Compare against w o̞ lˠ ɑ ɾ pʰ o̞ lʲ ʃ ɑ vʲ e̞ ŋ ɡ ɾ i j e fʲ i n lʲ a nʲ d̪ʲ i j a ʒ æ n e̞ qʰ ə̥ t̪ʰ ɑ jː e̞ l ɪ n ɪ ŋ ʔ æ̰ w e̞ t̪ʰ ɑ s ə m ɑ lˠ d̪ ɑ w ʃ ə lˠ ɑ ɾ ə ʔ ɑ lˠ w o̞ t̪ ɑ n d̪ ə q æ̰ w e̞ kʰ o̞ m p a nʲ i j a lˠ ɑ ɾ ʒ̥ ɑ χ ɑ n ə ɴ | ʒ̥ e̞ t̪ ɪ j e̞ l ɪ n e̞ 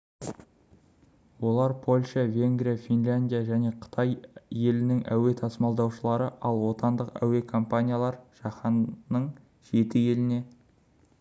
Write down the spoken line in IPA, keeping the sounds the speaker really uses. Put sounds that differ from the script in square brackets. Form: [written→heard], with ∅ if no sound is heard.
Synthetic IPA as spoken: w o̞ lˠ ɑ ɾ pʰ o̞ lʲ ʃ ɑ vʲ e̞ ŋ ɡ ɾ i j [e→a] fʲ i n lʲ a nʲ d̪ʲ i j a ʒ æ n e̞ qʰ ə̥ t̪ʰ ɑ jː e̞ l ɪ n ɪ ŋ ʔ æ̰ w e̞ t̪ʰ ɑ s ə m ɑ lˠ d̪ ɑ w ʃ ə lˠ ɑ ɾ ə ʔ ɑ lˠ w o̞ t̪ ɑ n d̪ ə q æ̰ w e̞ kʰ o̞ m p a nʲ i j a lˠ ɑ ɾ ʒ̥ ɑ χ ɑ n ə ɴ | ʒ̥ e̞ t̪ ɪ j e̞ l ɪ n e̞

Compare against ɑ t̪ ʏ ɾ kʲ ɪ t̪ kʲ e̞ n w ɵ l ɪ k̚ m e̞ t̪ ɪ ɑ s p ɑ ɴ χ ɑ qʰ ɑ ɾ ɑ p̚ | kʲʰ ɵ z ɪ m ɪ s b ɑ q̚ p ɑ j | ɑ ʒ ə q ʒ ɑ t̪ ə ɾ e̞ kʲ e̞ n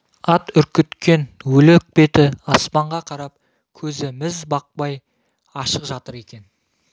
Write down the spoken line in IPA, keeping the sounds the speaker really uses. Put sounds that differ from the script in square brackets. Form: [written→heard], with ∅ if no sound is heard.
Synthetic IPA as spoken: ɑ t̪ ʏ ɾ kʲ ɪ t̪ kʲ e̞ n w ɵ l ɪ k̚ [m→b] e̞ t̪ ɪ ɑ s p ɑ ɴ [χ→ʁ] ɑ qʰ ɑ ɾ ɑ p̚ | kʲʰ ɵ z ɪ m ɪ [s→z] b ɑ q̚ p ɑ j | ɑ [ʒ→ʃ] ə q ʒ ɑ t̪ ə ɾ e̞ kʲ e̞ n

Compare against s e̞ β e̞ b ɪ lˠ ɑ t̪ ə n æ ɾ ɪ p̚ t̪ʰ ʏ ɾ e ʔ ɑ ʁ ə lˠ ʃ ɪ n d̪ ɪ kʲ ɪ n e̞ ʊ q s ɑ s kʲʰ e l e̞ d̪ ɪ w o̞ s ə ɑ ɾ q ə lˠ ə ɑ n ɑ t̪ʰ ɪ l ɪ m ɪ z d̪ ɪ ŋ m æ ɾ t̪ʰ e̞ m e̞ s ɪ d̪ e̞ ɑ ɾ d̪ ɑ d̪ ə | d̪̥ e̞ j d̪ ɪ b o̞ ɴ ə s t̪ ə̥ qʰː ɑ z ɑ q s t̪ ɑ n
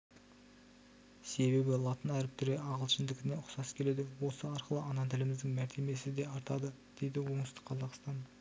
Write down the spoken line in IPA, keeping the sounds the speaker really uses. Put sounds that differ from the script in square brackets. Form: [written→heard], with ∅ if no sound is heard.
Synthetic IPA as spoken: s e̞ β e̞ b ɪ lˠ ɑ t̪ ə n æ ɾ ɪ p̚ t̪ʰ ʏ ɾ e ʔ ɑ ʁ ə lˠ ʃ ɪ n d̪ ɪ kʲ ɪ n e̞ ʊ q s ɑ s kʲʰ e l e̞ d̪ ɪ w o̞ s ə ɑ ɾ q ə lˠ ə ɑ n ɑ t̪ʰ ɪ l ɪ m ɪ z d̪ ɪ ŋ m æ ɾ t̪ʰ e̞ m e̞ s ɪ d̪ e̞ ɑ ɾ [d̪→t̪] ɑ d̪ ə | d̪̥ e̞ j d̪ ɪ [b→w] o̞ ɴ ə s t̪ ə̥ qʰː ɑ z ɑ q s t̪ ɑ n

